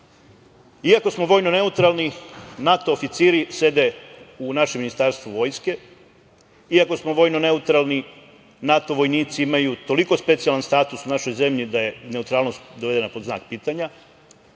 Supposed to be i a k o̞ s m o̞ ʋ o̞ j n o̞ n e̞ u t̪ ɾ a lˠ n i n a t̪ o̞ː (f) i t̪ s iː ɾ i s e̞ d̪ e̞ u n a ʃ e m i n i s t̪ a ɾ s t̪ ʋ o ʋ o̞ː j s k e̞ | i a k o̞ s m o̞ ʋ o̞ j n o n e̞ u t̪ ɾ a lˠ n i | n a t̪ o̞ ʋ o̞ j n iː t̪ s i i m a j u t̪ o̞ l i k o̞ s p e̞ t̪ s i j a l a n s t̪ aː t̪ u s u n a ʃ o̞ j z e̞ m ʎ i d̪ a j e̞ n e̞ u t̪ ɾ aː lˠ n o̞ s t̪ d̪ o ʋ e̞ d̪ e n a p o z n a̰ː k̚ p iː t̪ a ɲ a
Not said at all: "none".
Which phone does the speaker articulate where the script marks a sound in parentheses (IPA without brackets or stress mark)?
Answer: f